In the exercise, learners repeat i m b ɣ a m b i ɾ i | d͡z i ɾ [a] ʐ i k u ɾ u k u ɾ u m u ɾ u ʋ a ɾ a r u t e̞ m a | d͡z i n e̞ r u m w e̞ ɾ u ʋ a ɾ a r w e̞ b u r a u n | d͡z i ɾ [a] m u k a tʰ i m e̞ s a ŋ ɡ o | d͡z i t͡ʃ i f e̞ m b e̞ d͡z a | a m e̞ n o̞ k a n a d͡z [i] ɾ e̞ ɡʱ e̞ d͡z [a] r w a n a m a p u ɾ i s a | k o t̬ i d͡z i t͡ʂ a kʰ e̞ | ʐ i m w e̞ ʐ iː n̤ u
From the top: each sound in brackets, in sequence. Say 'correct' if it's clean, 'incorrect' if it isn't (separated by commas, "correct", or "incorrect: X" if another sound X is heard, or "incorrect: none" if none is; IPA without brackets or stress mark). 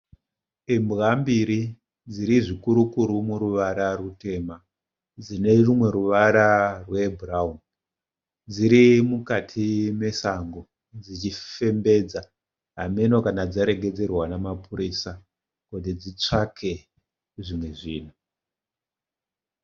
incorrect: i, incorrect: i, incorrect: a, incorrect: e